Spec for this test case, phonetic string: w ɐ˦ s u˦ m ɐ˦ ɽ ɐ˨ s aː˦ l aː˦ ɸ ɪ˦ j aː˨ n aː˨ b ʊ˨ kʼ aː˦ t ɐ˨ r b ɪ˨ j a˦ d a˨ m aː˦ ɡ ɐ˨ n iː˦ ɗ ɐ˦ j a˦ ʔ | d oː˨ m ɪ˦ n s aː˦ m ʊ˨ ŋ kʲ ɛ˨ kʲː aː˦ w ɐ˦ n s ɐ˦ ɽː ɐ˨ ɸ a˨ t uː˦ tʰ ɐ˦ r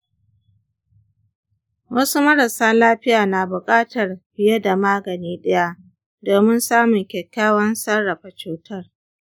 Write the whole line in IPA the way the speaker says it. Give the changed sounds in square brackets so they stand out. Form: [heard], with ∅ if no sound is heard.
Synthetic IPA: w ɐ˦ s u˦ m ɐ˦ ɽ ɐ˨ s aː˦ l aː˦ ɸ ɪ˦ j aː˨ n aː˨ b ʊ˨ kʼ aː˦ t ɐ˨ r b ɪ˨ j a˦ d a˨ m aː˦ ɡ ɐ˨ n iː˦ ɗ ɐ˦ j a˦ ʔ | d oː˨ m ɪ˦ n s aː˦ m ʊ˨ ŋ kʲ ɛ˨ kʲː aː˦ w ɐ˦ n s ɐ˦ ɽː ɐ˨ ɸ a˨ [t͡ʃ] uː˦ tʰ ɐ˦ r

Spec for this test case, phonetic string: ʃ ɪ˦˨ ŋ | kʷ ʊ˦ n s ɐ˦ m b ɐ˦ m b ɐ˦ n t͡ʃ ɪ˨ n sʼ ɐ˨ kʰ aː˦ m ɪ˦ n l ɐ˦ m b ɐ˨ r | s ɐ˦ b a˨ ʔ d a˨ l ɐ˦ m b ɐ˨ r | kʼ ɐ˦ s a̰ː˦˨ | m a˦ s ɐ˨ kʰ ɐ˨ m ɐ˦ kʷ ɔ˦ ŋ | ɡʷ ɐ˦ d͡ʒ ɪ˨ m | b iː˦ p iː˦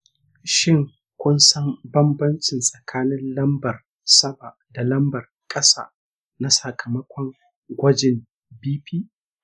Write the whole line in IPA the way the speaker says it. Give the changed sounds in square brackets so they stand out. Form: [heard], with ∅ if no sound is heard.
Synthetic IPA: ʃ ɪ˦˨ ŋ | kʷ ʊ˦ n s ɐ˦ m b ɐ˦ m b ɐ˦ n t͡ʃ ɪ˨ n sʼ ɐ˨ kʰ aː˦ [n] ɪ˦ n l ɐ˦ m b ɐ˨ r | s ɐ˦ b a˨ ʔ d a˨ l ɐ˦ m b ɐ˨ r | kʼ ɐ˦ s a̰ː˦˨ | [n] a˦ s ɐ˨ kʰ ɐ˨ m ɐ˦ kʷ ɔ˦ ŋ | ɡʷ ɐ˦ d͡ʒ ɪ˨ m | b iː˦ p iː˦

